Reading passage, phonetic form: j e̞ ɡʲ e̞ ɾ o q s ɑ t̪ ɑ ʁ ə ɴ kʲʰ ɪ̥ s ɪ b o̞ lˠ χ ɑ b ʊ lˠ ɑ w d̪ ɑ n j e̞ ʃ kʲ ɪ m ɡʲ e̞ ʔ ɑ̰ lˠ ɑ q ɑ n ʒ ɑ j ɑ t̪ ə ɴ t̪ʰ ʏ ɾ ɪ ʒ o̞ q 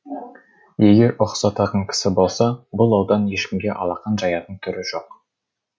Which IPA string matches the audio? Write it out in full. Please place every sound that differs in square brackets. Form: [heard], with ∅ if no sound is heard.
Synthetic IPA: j e̞ ɡʲ e̞ ɾ o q s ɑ t̪ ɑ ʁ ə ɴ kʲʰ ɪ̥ s ɪ b o̞ lˠ [s] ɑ b ʊ lˠ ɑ w d̪ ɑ n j e̞ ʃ kʲ ɪ m ɡʲ e̞ ʔ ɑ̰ lˠ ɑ q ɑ n ʒ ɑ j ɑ t̪ ə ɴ t̪ʰ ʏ ɾ ɪ ʒ o̞ q